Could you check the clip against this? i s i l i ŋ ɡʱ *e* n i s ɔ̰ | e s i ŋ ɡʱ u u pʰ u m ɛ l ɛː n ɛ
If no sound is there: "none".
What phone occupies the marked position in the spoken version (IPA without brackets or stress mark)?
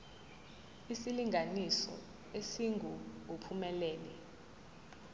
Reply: a